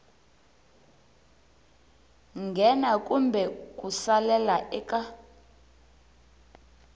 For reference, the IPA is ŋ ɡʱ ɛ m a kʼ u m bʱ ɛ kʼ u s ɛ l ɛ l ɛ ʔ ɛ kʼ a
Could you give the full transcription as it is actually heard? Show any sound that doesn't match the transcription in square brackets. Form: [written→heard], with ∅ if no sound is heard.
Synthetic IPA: ŋ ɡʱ ɛ [m→n] a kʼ u m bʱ ɛ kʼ u s [ɛ→a] l ɛ l [ɛ→a] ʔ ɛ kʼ a